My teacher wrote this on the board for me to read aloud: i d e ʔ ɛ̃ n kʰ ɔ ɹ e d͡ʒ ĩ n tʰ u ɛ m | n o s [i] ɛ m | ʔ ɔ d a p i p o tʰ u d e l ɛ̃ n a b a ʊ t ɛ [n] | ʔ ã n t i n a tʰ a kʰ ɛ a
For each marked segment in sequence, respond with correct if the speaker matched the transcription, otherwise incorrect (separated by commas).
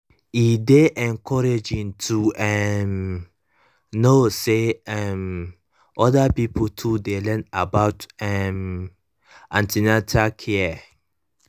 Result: incorrect, incorrect